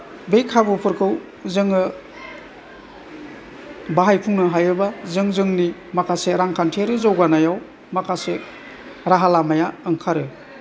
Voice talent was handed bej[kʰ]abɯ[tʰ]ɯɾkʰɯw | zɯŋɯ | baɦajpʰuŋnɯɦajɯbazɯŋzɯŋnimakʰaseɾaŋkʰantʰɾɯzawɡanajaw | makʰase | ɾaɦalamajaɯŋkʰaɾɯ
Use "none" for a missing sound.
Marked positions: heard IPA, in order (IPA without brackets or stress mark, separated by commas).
kʰ, pʰ